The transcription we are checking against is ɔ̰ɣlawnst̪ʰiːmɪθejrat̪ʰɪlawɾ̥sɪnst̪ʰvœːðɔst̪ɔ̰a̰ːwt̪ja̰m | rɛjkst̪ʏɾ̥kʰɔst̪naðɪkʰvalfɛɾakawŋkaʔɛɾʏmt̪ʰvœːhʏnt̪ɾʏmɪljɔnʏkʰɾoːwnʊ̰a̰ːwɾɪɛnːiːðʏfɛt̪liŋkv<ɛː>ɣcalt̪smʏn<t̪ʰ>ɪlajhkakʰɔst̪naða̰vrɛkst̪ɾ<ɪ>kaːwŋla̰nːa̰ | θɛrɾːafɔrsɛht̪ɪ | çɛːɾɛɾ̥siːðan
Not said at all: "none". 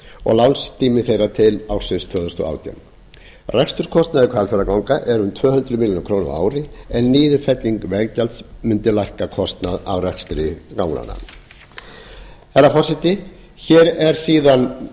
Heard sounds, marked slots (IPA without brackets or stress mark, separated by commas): ɛ, t̪, ɪ